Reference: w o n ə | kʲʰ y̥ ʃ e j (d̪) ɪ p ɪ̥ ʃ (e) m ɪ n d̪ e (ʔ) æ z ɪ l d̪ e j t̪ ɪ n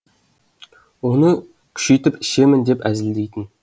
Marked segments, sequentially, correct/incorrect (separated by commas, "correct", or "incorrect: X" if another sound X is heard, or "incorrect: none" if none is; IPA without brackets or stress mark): incorrect: t̪, correct, incorrect: p